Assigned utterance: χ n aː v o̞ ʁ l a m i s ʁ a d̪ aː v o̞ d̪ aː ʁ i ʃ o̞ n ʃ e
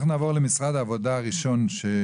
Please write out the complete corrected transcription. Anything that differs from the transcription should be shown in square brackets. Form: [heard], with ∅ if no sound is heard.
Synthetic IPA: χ n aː v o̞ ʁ l [e] m i s ʁ a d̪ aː v o̞ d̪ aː ʁ i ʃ o̞ n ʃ e